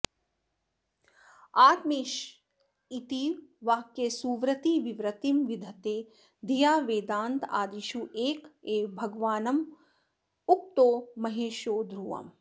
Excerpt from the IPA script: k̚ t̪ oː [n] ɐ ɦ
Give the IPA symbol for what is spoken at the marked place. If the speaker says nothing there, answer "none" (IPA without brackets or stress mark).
m